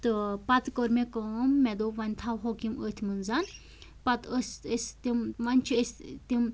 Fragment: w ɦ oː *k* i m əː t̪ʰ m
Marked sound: correct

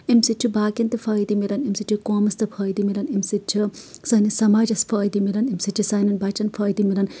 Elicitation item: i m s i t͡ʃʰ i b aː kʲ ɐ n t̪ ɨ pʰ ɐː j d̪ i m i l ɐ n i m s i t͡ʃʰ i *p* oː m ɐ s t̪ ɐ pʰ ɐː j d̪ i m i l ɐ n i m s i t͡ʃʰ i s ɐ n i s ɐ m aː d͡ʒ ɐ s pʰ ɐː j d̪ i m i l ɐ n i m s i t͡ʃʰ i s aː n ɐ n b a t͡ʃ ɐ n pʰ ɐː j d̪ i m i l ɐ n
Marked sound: incorrect: k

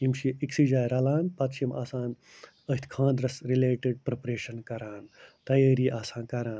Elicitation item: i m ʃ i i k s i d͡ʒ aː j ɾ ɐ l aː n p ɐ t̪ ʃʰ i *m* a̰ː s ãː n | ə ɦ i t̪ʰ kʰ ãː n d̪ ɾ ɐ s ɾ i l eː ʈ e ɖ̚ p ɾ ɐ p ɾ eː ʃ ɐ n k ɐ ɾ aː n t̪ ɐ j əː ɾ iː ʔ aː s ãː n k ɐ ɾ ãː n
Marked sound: correct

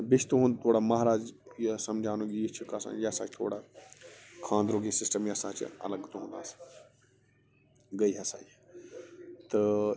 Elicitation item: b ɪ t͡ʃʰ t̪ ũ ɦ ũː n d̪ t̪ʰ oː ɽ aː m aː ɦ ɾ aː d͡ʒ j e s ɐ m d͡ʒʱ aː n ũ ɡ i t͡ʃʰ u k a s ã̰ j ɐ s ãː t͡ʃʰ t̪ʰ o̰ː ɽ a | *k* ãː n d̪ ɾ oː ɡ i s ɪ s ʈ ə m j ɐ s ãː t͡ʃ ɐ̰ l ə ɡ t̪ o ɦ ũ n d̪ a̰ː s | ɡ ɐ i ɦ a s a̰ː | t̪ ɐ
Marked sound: incorrect: kʰ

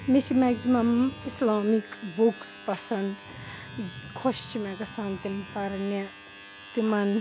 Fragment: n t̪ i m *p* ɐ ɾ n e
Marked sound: correct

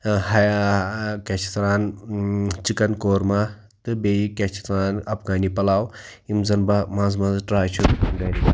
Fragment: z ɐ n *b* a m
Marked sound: correct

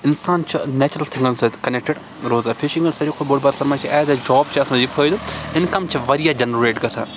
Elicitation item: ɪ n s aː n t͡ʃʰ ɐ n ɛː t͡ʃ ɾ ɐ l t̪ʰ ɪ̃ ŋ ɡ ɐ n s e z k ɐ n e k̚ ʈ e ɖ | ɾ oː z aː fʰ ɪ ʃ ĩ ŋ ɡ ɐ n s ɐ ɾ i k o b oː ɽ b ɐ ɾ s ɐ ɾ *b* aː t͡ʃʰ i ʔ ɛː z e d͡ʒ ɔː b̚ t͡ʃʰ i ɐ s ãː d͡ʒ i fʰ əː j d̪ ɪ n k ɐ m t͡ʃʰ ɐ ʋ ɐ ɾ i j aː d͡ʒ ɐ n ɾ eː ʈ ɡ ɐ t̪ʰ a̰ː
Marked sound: incorrect: m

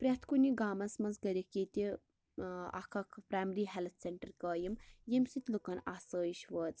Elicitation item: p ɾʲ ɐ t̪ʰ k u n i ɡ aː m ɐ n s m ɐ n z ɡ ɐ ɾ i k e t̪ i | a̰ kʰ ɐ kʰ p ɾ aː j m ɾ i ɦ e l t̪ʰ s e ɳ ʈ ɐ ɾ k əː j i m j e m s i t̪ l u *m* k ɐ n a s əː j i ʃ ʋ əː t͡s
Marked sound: incorrect: none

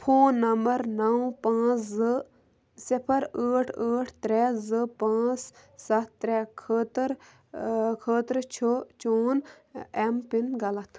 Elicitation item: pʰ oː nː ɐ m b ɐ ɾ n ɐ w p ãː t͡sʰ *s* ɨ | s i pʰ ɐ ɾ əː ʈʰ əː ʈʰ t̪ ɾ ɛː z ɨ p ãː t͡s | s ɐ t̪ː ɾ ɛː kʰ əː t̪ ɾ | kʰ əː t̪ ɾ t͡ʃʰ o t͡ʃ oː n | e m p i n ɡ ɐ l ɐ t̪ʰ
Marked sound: incorrect: z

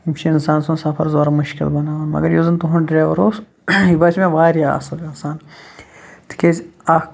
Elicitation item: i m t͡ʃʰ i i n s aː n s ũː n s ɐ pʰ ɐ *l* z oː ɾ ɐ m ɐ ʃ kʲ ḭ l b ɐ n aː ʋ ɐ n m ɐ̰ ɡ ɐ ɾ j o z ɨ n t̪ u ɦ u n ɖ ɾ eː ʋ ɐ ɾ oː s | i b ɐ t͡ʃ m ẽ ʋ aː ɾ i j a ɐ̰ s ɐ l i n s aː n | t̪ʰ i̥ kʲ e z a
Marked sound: incorrect: ɾ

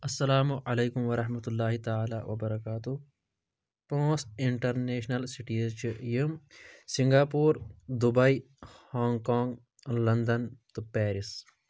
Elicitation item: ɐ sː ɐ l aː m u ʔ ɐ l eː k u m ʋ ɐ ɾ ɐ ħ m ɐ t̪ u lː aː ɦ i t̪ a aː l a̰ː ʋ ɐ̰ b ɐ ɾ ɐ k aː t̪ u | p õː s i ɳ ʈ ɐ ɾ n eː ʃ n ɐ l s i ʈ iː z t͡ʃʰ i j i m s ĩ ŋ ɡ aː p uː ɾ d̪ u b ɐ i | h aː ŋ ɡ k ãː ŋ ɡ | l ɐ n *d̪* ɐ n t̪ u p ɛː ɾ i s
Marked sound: correct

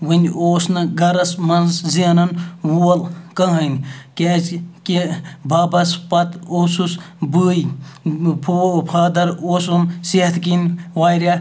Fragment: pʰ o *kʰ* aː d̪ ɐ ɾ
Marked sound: incorrect: pʰ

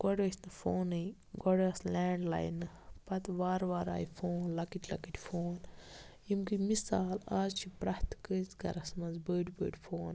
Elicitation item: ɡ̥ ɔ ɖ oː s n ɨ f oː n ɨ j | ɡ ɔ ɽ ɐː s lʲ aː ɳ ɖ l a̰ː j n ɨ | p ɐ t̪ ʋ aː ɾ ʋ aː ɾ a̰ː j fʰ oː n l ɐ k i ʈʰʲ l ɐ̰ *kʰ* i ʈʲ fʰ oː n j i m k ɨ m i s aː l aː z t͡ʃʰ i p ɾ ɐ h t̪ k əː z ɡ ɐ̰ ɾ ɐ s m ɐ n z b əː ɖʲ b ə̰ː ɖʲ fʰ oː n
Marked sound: incorrect: k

